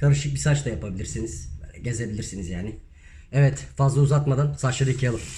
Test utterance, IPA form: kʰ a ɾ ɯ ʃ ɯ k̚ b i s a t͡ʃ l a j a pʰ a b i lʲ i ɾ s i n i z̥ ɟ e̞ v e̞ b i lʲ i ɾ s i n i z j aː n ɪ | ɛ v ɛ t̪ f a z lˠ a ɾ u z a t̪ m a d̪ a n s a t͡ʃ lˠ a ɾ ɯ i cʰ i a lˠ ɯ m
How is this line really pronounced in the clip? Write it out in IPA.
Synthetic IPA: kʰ a ɾ ɯ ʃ ɯ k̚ b i s a t͡ʃ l a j a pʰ a b i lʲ i ɾ s i n i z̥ ɟ e̞ z e̞ b i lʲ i ɾ s i n i z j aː n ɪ | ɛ v ɛ t̪ f a z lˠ a u z a t̪ m a d̪ a n s a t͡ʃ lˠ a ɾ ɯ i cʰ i a lˠ ɯ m